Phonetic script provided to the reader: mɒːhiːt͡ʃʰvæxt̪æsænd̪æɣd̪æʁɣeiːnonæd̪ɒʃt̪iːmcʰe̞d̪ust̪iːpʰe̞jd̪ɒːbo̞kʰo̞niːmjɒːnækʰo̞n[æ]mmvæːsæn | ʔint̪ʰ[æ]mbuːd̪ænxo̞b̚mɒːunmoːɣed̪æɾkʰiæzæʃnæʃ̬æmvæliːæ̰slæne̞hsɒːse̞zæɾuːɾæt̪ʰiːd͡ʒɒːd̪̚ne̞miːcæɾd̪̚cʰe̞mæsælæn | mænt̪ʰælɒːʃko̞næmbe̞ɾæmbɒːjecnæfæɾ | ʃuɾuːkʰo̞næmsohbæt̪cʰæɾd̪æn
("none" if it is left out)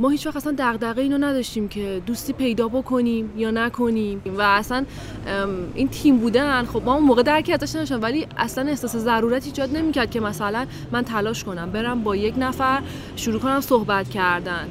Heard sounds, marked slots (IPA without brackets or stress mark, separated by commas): i, i